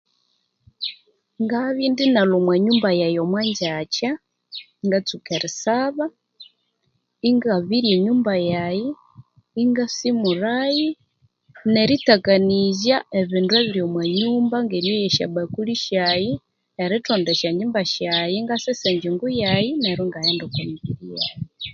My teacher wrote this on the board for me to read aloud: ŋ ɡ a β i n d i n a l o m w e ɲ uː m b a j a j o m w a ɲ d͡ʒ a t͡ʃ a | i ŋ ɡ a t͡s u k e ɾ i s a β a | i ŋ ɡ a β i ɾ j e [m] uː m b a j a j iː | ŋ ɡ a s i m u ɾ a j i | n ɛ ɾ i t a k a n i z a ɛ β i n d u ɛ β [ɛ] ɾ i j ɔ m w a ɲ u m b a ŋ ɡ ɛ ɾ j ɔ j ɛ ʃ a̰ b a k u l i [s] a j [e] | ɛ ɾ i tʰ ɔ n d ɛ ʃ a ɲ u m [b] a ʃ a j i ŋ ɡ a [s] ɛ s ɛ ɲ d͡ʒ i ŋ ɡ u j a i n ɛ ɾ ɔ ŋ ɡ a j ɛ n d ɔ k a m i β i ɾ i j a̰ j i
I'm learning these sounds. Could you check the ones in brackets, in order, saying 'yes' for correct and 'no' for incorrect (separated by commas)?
no, no, no, no, yes, yes